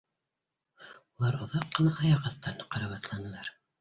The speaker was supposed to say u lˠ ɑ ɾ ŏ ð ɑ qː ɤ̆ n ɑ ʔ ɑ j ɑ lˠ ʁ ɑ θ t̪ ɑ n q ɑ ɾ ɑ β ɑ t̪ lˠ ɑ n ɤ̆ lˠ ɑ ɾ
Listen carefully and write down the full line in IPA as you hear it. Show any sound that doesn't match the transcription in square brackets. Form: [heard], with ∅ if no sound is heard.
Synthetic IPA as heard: u lˠ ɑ ɾ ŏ ð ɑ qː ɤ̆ n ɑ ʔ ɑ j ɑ [∅] ʁ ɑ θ t̪ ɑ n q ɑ ɾ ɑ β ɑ t̪ lˠ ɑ n ɤ̆ lˠ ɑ ɾ